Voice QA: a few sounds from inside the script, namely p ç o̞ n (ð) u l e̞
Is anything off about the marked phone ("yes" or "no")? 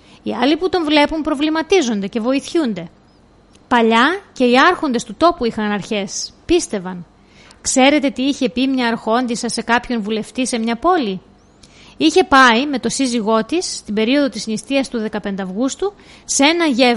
yes